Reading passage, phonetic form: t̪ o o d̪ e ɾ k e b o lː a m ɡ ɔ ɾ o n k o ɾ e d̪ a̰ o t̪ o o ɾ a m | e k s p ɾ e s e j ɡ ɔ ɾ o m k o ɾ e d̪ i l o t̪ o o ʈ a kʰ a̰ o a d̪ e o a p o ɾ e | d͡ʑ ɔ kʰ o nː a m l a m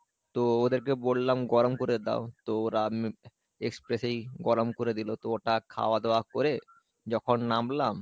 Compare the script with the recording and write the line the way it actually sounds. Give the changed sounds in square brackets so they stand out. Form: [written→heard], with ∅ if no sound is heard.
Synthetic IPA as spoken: t̪ o o d̪ e ɾ k e b o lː a m ɡ ɔ ɾ o [n→m] k o ɾ e d̪ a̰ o t̪ o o ɾ a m | e k s p ɾ e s e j ɡ ɔ ɾ o m k o ɾ e d̪ i l o t̪ o o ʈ a kʰ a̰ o a d̪ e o a [p→k] o ɾ e | d͡ʑ ɔ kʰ o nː a m l a m